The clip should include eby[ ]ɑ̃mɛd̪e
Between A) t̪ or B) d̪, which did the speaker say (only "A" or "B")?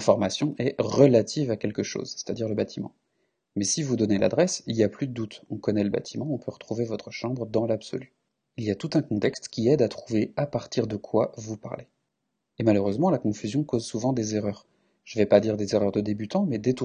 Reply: A